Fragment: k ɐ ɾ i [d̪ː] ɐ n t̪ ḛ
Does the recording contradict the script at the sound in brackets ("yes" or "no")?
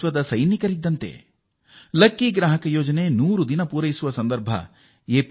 no